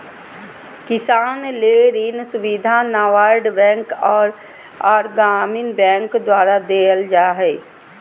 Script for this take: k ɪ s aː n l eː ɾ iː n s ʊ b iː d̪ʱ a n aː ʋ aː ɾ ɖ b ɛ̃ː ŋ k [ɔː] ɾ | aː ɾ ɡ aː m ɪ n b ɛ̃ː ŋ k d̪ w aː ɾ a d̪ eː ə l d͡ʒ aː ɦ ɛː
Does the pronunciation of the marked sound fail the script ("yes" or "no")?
no